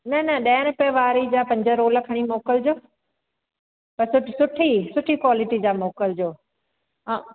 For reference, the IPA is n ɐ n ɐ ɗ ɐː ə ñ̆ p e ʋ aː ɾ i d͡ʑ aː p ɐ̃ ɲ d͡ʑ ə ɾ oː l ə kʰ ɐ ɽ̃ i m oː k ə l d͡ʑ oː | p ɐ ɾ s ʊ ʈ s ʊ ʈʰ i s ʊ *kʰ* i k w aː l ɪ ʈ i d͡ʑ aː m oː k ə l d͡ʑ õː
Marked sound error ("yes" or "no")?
yes